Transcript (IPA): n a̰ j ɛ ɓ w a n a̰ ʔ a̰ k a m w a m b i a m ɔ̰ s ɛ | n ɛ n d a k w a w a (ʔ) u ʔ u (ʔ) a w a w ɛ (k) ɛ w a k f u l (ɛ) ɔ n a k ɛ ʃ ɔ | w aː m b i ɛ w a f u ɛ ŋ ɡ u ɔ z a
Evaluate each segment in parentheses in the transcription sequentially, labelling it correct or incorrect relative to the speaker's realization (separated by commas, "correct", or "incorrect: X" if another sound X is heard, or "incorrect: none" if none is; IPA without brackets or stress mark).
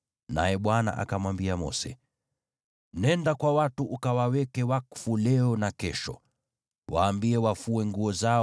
incorrect: t, incorrect: k, correct, correct